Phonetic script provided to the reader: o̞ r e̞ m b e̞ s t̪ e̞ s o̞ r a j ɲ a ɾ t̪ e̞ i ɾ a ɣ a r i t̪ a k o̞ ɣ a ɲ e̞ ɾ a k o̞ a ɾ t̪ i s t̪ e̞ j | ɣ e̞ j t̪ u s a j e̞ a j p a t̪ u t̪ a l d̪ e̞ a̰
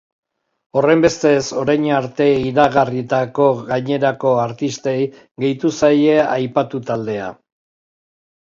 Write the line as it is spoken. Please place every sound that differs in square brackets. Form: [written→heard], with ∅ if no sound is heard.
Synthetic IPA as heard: o̞ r e̞ m b e̞ s t̪ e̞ s o̞ [r→ɾ] a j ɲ a ɾ t̪ e̞ i ɾ a ɣ a r i t̪ a k o̞ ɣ a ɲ e̞ ɾ a k o̞ a ɾ t̪ i s t̪ e̞ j | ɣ e̞ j t̪ u s a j e̞ a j p a t̪ u t̪ a l d̪ e̞ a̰